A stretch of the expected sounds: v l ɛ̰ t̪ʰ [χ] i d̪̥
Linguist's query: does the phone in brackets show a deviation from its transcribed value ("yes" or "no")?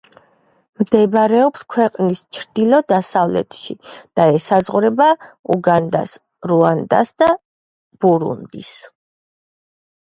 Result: yes